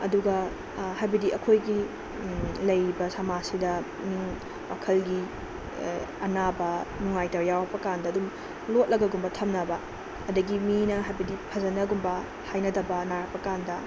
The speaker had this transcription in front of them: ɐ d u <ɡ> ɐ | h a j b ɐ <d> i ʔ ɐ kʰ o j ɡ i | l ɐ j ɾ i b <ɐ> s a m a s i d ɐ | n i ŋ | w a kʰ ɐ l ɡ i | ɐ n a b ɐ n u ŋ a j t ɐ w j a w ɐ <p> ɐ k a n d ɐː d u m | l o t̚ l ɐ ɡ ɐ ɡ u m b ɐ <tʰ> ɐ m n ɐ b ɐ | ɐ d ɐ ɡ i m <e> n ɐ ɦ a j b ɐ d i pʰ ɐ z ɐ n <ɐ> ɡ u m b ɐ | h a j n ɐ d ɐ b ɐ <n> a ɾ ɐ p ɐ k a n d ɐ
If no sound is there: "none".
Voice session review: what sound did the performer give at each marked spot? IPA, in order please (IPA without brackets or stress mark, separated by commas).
ɡ, d, ɐ, p, tʰ, i, ɐ, n